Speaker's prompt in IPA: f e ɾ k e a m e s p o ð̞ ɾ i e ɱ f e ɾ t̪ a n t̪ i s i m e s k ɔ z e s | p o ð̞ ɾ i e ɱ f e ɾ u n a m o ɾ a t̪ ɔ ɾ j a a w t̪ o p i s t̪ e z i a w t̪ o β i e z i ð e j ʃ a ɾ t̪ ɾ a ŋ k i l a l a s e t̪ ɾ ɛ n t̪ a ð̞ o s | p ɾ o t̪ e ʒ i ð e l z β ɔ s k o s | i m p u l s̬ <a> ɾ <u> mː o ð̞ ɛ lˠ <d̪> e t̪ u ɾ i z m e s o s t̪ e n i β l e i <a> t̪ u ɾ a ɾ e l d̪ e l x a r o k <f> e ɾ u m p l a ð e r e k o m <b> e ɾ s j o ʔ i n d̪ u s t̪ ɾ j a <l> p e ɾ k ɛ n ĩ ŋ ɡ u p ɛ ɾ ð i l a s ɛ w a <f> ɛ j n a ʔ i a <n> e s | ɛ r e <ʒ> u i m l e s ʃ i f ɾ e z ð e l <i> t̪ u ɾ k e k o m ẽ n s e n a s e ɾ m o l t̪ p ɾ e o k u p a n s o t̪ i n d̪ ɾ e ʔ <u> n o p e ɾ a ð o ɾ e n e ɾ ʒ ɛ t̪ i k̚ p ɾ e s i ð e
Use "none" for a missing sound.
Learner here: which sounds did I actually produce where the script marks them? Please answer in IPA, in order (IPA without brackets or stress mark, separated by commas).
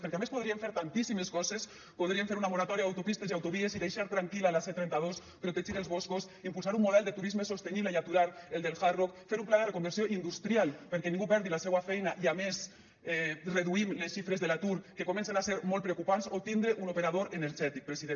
a, u, d̪, a, f, b, l, f, m, ð, a, u